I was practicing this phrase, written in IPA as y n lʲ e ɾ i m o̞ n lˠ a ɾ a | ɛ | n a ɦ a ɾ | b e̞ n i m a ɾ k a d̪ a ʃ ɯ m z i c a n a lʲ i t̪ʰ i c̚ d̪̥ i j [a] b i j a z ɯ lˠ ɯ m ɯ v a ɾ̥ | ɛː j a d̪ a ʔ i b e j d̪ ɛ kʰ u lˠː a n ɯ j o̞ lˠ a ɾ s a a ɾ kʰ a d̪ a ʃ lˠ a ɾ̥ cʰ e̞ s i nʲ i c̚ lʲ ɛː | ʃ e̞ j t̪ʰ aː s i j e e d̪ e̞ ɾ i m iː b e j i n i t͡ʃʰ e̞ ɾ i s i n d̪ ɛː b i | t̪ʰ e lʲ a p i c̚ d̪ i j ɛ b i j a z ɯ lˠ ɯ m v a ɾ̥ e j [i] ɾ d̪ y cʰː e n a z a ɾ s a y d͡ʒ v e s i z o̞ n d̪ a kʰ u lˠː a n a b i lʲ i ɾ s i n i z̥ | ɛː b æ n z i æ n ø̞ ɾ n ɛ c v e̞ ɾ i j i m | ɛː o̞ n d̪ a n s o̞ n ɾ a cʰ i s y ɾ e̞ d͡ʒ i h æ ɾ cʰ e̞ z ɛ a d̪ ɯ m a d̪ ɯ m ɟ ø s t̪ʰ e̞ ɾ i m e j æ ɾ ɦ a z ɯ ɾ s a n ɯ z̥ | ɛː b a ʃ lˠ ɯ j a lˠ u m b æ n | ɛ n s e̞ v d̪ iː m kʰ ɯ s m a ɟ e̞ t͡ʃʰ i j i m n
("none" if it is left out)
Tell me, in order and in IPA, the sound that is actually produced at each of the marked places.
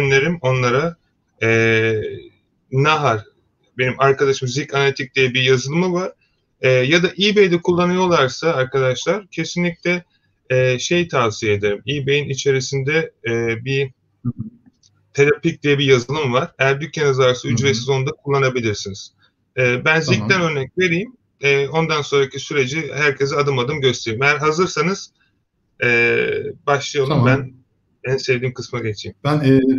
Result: ɛ, æ

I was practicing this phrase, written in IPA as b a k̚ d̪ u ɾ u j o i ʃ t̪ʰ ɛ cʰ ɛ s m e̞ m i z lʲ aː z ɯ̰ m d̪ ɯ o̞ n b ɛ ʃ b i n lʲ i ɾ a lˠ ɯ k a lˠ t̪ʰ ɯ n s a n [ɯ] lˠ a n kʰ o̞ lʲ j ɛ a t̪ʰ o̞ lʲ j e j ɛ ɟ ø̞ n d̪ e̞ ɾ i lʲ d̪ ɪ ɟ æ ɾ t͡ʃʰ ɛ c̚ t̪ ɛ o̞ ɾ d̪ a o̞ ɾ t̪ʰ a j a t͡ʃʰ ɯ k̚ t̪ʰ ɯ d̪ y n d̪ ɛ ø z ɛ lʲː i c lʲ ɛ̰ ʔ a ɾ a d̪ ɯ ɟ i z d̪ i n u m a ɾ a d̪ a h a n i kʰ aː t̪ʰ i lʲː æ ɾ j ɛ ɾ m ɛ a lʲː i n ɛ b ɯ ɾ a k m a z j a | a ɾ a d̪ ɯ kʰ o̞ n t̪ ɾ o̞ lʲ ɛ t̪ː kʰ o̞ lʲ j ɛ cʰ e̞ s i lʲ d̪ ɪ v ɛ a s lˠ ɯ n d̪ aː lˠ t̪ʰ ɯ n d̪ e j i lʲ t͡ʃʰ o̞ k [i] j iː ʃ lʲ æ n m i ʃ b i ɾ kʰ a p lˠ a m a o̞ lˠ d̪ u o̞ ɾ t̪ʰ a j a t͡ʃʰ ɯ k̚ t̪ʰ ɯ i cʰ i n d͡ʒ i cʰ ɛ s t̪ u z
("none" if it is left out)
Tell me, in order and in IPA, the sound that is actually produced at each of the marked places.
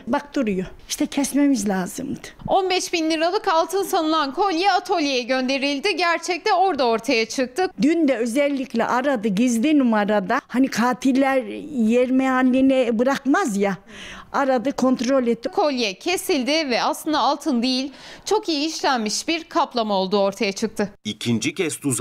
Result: ɯ, i

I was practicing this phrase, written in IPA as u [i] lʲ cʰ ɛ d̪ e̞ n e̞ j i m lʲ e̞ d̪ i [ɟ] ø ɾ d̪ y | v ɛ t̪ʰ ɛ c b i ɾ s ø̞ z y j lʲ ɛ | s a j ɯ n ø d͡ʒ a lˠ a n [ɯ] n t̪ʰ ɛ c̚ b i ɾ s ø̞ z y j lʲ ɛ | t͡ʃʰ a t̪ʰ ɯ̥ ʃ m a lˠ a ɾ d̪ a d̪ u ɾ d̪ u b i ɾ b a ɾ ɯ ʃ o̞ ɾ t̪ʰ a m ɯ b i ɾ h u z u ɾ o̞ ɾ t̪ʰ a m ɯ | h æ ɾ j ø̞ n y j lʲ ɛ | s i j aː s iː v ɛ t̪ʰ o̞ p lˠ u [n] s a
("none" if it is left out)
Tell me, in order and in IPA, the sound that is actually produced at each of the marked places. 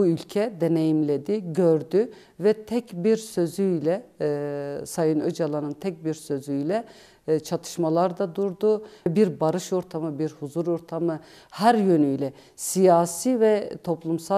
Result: y, ɟ, ɯ, m

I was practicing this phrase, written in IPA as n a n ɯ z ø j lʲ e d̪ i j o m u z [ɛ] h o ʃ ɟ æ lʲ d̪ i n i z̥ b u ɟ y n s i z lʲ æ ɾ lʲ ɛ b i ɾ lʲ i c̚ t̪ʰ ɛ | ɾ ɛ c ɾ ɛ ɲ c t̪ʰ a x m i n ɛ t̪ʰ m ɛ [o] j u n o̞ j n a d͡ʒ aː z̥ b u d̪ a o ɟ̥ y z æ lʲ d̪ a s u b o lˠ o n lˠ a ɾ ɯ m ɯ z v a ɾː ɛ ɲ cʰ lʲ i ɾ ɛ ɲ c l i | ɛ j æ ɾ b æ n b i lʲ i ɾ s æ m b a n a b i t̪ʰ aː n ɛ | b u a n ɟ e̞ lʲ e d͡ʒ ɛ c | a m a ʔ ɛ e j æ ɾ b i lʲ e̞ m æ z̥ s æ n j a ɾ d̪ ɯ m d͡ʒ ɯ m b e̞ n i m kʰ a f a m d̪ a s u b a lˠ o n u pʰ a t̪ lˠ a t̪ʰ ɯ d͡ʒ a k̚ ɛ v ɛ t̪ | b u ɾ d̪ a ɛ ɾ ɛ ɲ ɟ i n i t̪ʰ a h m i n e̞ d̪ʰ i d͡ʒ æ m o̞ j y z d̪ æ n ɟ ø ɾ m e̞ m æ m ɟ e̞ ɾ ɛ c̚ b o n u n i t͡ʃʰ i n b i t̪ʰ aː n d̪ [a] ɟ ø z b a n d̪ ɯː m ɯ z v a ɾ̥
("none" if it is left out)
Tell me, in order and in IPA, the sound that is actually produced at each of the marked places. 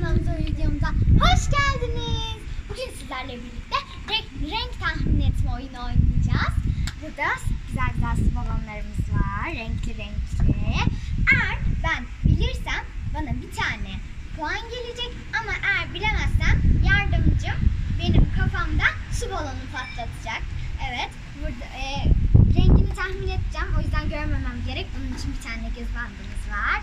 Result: a, o, ɛ

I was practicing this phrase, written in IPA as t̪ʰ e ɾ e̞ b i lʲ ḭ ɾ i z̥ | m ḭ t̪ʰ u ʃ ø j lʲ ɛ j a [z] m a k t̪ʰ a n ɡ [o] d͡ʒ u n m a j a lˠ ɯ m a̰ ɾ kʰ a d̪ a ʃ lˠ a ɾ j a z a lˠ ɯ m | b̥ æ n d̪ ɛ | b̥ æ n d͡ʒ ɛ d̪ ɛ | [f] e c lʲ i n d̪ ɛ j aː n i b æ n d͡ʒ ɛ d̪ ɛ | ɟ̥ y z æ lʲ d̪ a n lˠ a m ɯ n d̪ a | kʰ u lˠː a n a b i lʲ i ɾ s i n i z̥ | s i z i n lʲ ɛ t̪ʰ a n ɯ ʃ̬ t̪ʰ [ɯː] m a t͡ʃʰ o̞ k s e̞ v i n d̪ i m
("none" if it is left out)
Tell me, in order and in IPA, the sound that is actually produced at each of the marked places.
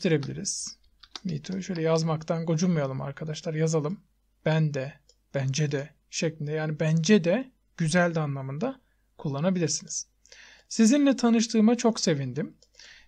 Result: z, o, ʃ, ɯː

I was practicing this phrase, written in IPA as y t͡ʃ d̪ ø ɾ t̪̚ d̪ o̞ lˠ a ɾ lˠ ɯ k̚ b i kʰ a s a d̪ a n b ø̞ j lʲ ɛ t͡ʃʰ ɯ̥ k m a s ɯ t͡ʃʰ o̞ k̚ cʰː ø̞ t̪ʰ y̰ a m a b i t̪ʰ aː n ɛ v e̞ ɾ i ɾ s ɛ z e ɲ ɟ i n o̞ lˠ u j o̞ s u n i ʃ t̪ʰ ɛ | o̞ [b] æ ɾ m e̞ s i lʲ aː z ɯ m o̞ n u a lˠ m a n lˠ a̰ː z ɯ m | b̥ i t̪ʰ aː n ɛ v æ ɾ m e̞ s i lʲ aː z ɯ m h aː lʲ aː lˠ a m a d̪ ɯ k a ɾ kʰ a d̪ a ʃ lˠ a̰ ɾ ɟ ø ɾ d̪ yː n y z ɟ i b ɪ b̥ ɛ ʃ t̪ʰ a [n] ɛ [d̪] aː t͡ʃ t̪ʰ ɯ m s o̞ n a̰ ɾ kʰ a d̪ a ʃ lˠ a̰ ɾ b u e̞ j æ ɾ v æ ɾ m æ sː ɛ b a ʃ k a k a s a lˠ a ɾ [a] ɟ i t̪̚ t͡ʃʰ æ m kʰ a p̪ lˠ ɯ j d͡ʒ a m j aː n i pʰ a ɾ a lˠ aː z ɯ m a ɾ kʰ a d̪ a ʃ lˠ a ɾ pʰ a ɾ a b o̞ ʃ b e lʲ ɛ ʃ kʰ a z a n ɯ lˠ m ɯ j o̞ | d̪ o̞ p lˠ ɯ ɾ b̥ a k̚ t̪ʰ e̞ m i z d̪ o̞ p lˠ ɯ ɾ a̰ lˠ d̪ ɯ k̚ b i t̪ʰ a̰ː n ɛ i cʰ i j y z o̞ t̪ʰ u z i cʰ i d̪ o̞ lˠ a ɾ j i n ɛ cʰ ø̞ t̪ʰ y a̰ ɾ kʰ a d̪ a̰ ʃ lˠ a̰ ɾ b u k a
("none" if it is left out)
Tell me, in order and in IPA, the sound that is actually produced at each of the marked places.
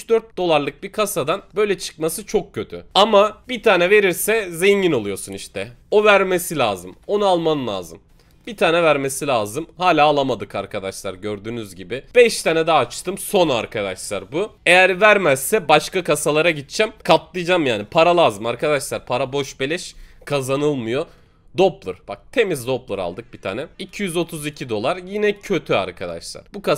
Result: v, n, d̪, a

